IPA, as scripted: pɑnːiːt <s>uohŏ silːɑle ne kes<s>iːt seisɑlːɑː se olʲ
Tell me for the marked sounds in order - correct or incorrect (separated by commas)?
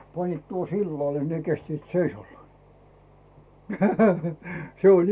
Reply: incorrect, incorrect